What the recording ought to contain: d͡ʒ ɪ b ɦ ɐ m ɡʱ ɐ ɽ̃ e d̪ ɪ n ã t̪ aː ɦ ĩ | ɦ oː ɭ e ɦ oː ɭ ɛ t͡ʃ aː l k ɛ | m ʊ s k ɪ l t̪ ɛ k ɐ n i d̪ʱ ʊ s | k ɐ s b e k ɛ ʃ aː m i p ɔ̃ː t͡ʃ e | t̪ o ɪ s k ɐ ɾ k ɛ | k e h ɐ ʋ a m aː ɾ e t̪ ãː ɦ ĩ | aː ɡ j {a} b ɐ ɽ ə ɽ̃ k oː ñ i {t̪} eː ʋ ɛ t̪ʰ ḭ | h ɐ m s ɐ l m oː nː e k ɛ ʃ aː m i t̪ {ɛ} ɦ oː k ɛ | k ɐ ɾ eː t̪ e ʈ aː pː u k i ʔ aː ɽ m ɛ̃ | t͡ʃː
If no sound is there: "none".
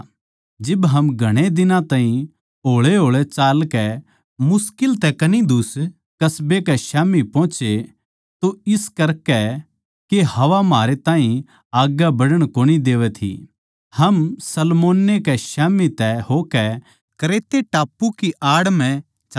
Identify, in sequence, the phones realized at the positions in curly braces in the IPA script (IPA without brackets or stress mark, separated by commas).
a, d̪, ɛ